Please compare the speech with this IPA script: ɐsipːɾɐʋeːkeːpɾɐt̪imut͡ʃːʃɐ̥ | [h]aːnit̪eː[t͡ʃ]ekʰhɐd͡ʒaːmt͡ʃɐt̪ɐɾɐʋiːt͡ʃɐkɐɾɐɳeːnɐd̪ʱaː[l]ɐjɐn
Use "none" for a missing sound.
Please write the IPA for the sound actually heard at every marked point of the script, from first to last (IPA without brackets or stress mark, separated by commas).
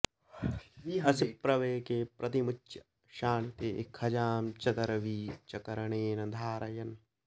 ʃ, none, ɾ